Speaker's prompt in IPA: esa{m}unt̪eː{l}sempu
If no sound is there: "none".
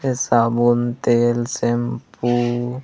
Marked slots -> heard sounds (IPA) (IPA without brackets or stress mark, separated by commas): b, l